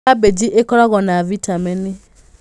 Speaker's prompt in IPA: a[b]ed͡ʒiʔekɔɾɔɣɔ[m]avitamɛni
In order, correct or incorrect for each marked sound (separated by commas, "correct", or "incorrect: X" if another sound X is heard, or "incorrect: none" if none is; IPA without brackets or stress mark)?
correct, incorrect: n